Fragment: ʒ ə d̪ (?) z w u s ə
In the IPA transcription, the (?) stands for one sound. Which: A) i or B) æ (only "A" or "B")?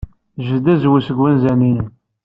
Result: B